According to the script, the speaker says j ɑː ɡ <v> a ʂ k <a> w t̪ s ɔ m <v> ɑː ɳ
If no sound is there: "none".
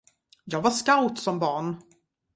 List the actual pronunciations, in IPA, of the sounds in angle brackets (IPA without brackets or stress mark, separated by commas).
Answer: v, a, b